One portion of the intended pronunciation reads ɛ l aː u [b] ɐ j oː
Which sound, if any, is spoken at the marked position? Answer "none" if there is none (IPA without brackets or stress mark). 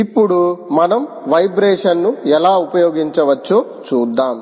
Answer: p